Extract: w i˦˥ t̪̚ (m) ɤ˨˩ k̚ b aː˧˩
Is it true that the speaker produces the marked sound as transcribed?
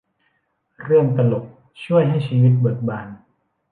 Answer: no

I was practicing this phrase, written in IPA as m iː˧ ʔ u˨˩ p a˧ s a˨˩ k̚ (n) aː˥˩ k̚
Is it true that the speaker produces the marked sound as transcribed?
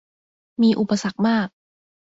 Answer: no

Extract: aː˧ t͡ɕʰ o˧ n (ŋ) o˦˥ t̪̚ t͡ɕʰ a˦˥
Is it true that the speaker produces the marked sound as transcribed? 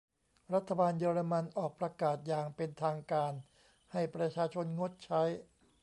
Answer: yes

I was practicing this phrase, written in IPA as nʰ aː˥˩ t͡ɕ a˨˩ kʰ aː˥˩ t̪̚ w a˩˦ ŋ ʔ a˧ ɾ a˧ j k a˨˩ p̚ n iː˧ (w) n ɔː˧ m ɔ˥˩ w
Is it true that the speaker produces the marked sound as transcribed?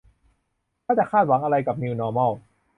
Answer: yes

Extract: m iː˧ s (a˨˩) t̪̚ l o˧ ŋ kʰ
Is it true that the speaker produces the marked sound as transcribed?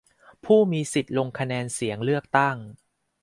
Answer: no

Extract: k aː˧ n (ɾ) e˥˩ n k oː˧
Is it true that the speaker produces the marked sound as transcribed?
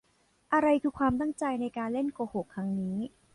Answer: no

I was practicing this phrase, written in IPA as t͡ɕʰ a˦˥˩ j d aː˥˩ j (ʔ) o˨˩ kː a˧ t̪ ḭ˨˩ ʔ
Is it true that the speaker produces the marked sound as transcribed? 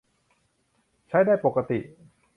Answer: no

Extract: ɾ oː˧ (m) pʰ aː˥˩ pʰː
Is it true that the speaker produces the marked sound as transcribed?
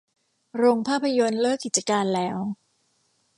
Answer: no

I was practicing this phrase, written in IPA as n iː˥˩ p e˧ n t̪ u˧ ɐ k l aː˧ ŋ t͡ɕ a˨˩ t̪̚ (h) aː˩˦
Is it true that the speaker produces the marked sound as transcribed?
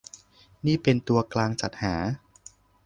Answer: yes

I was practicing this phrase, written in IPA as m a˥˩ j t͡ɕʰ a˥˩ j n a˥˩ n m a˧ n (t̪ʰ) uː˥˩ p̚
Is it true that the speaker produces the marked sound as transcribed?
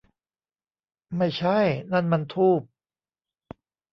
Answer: yes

